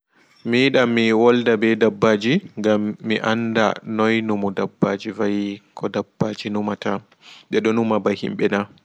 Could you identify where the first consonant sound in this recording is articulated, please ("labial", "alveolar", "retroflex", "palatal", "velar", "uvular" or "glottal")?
labial